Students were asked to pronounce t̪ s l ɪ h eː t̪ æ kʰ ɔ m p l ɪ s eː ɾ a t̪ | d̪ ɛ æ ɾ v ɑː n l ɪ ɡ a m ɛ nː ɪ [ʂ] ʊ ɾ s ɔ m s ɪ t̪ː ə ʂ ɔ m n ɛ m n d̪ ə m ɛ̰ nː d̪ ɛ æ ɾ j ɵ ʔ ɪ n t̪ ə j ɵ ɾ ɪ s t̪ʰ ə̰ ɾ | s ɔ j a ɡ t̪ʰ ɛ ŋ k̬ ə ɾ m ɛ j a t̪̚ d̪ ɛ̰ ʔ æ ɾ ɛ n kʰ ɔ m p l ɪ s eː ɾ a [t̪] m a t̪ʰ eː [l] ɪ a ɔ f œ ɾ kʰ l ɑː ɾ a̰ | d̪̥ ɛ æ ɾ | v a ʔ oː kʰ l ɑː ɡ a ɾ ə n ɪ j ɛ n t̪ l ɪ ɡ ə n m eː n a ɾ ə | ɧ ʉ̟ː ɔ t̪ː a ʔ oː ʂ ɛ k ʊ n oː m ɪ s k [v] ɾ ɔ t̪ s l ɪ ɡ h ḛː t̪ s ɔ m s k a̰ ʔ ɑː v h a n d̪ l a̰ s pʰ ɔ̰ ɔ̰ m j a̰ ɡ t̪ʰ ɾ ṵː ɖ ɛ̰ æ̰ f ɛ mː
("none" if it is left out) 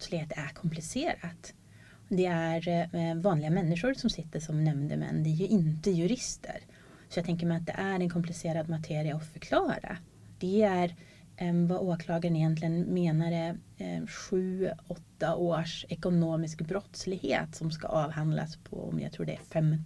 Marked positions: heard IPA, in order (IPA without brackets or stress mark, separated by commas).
ʂ, d̪, ɾ, b